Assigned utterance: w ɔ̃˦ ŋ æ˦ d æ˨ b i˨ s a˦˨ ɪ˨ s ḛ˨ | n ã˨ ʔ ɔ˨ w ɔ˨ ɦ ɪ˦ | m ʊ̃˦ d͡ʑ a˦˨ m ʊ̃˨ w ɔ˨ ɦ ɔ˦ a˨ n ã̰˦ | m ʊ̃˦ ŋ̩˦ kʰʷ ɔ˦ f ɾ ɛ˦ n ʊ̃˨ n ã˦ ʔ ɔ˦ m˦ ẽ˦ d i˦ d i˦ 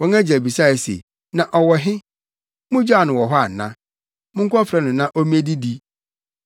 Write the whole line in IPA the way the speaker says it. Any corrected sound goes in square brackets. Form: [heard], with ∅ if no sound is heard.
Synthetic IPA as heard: w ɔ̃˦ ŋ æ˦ [d͡ʑ] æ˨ b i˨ s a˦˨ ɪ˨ s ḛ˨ | n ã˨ ʔ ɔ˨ w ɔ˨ ɦ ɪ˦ | m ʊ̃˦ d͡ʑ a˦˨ [n] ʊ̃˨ w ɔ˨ ɦ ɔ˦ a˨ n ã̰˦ | m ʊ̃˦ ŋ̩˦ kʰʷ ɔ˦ f ɾ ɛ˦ n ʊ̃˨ n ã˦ ʔ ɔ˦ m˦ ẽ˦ d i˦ d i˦